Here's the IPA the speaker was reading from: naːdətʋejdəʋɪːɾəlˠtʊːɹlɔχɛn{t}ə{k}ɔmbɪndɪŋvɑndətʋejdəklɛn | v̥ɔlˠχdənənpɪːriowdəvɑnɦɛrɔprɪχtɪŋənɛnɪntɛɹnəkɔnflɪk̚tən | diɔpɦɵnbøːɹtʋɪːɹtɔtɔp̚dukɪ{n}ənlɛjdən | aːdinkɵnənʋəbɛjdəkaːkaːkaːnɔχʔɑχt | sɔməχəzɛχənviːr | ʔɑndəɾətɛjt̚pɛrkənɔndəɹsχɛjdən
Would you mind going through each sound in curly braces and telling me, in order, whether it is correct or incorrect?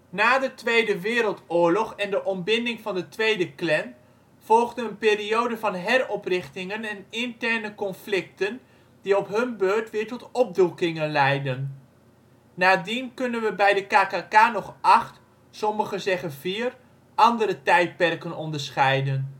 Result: incorrect: d, incorrect: ʔ, incorrect: ŋ

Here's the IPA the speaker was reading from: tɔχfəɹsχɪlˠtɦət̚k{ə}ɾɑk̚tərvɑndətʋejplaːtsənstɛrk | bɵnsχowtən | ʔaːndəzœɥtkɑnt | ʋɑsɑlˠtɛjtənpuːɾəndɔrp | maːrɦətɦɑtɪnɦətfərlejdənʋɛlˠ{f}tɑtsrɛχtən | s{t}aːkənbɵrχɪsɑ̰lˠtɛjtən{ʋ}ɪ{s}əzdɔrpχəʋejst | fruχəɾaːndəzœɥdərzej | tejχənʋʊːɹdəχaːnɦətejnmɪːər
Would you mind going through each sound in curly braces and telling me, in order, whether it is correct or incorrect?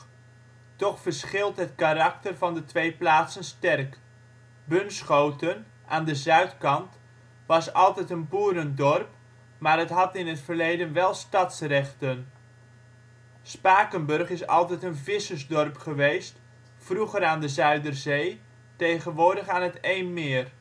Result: incorrect: a, incorrect: s, incorrect: p, incorrect: v, correct

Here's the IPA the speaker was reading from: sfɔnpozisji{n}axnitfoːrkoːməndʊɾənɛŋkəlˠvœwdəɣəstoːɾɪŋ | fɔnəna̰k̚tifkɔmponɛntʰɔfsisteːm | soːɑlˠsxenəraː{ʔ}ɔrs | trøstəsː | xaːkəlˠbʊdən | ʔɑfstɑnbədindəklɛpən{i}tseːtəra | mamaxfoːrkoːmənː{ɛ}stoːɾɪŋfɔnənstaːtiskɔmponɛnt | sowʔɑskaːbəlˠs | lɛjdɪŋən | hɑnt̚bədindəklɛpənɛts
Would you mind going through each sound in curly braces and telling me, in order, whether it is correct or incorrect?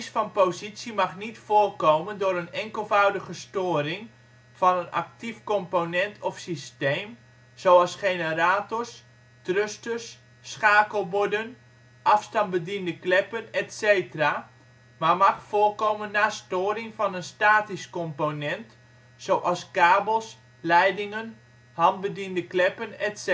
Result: incorrect: m, incorrect: t, incorrect: ɛ, incorrect: a

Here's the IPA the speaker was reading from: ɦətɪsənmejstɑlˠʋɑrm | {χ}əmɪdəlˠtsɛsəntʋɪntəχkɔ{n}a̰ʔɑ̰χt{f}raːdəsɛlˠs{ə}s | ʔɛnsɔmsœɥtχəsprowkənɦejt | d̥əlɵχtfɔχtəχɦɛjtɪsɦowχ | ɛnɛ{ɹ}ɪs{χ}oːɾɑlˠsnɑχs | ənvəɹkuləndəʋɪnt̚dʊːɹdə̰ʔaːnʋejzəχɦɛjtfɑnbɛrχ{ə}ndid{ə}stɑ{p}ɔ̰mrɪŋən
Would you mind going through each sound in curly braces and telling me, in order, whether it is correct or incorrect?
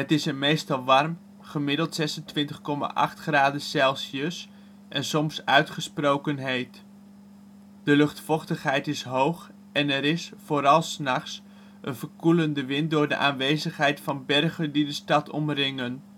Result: correct, incorrect: m, incorrect: χ, correct, incorrect: ɾ, incorrect: f, correct, correct, incorrect: t

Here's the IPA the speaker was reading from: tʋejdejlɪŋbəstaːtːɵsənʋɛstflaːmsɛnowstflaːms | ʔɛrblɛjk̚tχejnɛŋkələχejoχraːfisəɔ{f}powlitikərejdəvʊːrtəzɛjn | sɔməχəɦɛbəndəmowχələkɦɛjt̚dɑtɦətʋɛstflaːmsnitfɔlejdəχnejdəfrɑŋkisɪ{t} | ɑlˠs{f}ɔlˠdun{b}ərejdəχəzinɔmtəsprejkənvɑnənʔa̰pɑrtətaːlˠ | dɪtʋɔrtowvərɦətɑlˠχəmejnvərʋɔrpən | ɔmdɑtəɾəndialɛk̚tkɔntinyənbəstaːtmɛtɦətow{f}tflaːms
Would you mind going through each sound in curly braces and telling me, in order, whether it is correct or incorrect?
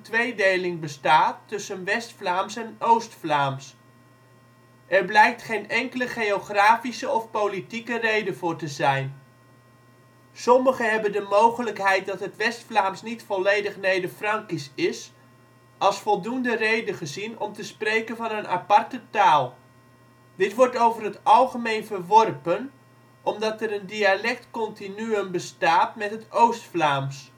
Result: correct, incorrect: s, correct, incorrect: d, incorrect: s

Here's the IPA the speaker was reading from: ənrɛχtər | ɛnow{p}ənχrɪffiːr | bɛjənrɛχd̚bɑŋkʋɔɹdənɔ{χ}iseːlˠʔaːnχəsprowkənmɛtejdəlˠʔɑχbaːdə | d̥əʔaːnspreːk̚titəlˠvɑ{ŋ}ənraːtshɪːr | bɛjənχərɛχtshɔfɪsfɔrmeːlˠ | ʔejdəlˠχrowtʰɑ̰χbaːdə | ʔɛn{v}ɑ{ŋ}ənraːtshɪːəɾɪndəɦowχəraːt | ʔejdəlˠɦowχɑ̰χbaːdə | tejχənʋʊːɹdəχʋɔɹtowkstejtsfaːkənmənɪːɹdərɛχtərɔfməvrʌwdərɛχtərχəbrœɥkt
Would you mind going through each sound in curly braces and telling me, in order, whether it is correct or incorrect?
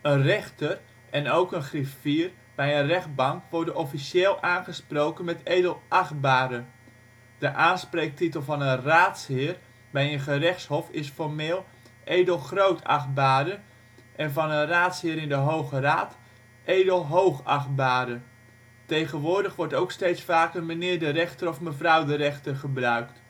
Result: incorrect: k, incorrect: f, incorrect: n, correct, incorrect: n

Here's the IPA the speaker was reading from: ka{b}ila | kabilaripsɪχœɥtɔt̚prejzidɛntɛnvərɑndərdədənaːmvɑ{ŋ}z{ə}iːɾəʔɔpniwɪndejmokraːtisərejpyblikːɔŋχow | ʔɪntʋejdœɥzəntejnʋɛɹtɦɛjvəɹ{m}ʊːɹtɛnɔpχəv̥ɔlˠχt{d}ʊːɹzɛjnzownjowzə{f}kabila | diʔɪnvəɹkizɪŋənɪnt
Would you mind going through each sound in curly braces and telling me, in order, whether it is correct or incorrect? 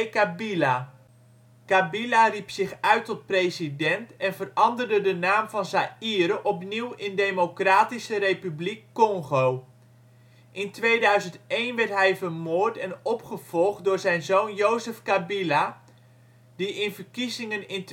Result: correct, incorrect: n, incorrect: a, correct, correct, correct

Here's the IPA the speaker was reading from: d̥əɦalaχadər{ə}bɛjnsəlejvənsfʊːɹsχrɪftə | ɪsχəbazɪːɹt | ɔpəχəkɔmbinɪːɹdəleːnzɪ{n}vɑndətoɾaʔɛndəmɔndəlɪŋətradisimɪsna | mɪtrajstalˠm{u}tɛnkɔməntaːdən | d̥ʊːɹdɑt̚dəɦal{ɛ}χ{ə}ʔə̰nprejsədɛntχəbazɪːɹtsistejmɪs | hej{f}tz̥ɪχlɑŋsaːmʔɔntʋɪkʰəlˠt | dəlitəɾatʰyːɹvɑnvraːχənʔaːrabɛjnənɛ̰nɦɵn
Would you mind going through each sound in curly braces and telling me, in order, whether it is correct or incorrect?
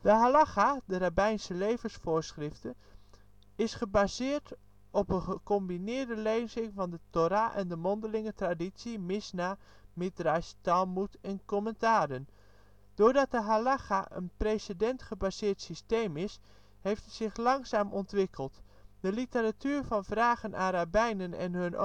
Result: incorrect: a, incorrect: ŋ, correct, incorrect: a, incorrect: a, correct

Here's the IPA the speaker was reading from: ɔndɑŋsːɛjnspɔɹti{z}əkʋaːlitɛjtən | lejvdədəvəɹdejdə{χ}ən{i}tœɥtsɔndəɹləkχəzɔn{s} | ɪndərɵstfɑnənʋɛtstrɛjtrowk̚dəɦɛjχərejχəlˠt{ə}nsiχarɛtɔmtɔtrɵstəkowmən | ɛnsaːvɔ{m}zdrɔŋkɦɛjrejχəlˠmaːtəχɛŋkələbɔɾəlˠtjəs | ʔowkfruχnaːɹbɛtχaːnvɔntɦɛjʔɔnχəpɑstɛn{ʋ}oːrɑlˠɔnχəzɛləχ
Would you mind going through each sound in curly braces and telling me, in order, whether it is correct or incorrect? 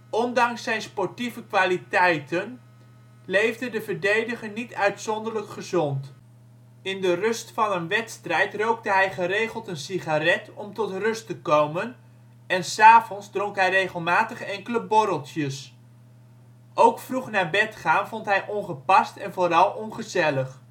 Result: incorrect: v, correct, correct, incorrect: t, correct, incorrect: n, incorrect: v

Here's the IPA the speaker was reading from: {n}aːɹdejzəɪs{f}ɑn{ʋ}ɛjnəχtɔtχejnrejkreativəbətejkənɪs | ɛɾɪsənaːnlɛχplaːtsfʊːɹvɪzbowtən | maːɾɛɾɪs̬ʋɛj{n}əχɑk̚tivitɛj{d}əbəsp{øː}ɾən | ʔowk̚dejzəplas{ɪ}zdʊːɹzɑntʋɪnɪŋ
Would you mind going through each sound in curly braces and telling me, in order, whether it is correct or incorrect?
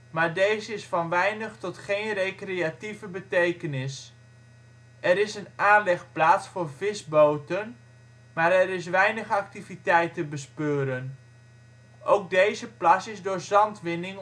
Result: incorrect: m, correct, correct, correct, incorrect: t, correct, correct

